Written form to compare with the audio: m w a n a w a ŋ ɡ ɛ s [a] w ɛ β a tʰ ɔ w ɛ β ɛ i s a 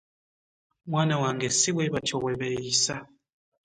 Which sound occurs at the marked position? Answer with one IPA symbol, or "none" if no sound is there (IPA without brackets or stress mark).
i